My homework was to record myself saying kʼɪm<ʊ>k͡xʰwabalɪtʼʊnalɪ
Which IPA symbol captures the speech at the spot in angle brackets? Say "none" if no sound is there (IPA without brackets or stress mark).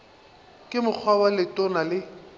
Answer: ʊ